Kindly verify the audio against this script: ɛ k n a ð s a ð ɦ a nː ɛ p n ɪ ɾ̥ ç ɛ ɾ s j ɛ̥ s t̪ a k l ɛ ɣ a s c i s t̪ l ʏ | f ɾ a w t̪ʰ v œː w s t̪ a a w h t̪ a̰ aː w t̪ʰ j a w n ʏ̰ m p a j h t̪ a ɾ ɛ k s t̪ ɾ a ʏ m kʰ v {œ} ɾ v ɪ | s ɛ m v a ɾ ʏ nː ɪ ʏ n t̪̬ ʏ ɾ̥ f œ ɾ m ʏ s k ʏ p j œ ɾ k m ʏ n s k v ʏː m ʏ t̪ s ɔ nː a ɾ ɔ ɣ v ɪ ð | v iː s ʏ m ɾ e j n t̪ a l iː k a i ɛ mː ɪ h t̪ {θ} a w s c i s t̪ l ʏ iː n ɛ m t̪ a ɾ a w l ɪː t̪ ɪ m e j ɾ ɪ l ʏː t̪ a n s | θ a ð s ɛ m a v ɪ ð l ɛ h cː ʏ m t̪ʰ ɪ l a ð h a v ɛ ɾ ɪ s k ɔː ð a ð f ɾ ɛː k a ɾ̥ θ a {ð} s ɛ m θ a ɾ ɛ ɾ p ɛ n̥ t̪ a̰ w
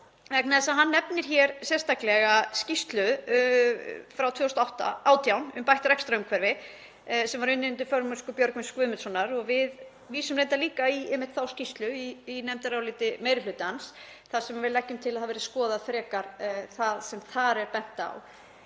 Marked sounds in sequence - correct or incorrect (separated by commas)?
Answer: incorrect, correct, correct